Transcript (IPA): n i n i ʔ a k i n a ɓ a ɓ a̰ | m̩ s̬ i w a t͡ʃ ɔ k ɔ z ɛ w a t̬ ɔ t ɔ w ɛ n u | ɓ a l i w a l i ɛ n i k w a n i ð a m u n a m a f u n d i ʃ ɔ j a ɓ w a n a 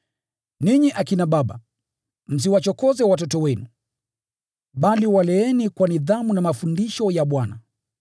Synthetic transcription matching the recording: n i ɲ i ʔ a k i n a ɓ a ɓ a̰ | m̩ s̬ i w a t͡ʃ ɔ k ɔ z ɛ w a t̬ ɔ t ɔ w ɛ n u | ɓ a l i w a l ɛ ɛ n i k w a n i ð a m u n a m a f u n d i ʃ ɔ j a ɓ w a n a

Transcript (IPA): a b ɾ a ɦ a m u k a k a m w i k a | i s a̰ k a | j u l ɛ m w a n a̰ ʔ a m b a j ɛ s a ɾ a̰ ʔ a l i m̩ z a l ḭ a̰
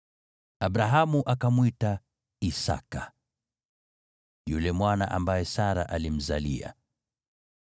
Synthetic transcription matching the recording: a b ɾ a ɦ a m u ʔ a k a m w i t a | i s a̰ k a | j u l ɛ m w a n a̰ ʔ a m b a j ɛ s a ɾ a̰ ʔ a l i m̩ z a l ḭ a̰

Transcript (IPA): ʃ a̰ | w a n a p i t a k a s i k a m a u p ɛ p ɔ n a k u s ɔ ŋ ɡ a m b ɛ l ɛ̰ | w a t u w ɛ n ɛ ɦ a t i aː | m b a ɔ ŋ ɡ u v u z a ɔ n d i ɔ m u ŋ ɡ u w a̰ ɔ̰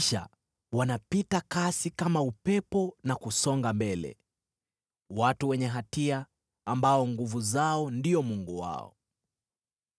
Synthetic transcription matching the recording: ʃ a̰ | w a n a p i t a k a s i k a m a u p ɛ p ɔ n a k u s ɔ ŋ ɡ a m b ɛ l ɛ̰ | w a t u w ɛ ɲ ɛ ɦ a t i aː | m b a ɔ ŋ ɡ u v u z a ɔ n d i ɔ m u ŋ ɡ u w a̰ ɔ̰

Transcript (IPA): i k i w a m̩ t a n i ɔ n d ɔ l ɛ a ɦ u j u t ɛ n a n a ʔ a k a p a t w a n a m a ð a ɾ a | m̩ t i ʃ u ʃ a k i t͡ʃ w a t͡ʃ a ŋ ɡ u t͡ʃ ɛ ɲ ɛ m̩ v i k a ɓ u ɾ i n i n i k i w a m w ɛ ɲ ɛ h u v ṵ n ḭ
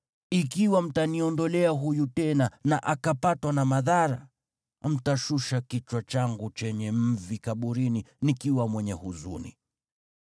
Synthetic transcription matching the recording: i k i w a m̩ t a n i ɔ n d ɔ l ɛ a ɦ u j u t ɛ n a n a ʔ a k a p a t w a n a m a ð a ɾ a | m̩ t a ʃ u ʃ a k i t͡ʃ w a t͡ʃ a ŋ ɡ u t͡ʃ ɛ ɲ ɛ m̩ v i k a ɓ u ɾ i n i n i k i w a m w ɛ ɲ ɛ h u z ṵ n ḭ

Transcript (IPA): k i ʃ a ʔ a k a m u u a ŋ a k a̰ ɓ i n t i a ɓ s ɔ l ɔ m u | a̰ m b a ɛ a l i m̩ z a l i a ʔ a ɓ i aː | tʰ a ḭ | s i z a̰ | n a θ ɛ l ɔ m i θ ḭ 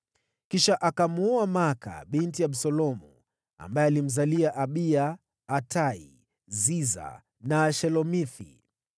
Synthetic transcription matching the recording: k i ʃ a ʔ a k a m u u a m a k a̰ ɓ i n t i a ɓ s ɔ l ɔ m u | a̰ m b a ɛ a l i m̩ z a l i a ʔ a ɓ i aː | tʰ a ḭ | z i z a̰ | n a ʃ ɛ l ɔ m i θ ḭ

